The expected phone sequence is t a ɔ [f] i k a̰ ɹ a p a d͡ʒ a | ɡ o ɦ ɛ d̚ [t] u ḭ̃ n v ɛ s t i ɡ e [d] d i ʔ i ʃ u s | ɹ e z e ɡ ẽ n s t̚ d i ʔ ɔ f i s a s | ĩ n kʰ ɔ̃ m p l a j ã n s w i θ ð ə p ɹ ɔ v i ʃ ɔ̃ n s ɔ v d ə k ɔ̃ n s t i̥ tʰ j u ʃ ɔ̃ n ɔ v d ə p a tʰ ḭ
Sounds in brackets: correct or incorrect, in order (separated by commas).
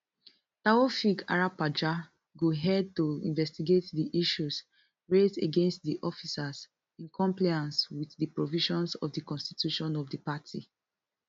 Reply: correct, correct, incorrect